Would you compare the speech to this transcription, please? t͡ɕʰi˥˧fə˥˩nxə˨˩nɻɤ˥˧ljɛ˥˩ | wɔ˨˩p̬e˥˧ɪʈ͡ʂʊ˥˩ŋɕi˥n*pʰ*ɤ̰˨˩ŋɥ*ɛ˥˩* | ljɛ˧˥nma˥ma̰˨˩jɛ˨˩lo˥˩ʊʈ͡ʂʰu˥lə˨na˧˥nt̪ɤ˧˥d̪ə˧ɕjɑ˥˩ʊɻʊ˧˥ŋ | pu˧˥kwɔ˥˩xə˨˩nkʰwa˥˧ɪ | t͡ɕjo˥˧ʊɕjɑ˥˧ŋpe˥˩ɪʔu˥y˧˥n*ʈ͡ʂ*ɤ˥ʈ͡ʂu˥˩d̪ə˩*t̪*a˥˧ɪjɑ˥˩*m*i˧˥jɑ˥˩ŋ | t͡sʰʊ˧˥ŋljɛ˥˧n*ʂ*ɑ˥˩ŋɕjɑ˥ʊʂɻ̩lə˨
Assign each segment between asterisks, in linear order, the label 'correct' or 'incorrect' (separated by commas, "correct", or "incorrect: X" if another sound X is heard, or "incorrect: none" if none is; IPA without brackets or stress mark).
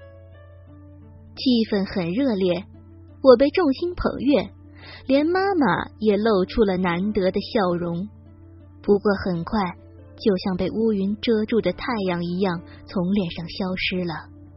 correct, correct, correct, incorrect: t̪ʰ, incorrect: ŋ, correct